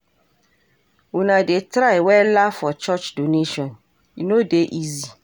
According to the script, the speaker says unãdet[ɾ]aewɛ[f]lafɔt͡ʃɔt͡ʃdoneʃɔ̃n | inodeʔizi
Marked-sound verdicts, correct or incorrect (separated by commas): correct, incorrect